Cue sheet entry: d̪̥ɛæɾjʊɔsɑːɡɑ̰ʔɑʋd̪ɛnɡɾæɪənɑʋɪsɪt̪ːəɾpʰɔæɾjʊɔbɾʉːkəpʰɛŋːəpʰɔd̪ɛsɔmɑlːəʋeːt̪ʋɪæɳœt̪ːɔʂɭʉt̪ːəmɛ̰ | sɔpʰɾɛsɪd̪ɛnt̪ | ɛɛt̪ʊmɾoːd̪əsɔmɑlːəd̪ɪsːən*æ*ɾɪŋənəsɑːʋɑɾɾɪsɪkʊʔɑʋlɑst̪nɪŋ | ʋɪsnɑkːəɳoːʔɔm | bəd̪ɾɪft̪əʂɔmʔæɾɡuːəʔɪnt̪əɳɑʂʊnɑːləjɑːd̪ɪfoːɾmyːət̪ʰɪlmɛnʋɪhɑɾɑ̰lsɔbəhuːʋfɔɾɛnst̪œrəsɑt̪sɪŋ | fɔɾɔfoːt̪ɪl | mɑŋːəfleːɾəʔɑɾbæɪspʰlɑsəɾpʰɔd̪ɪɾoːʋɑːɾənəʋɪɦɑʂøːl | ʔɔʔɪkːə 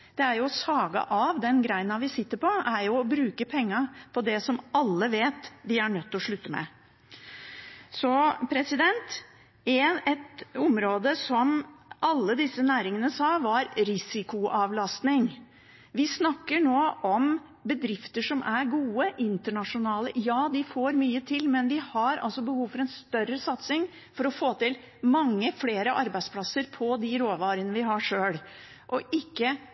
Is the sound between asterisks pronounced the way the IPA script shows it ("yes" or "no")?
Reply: no